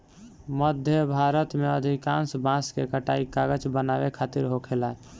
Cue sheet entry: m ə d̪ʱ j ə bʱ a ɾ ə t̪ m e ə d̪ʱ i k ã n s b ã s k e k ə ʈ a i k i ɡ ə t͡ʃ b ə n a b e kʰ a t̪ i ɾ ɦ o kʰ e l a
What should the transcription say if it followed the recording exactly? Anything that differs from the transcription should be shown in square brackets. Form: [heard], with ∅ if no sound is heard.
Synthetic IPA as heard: m ə d̪ʱ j ə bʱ a ɾ ə t̪ m e ə d̪ʱ i k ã n s b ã s k e k ə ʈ a i k [a] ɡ ə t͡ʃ b ə n a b e kʰ a t̪ i ɾ ɦ o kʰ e l a